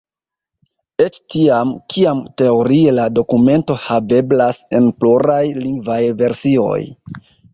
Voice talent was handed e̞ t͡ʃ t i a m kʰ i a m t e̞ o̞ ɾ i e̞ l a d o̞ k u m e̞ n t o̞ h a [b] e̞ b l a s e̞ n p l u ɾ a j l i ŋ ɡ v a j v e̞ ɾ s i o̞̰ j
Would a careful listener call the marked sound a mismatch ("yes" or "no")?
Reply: yes